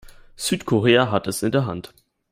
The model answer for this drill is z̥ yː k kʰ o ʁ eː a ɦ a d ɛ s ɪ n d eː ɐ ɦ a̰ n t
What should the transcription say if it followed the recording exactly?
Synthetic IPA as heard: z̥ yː t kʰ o ʁ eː a ɦ a t ɛ s ɪ n d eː ɐ ɦ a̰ n t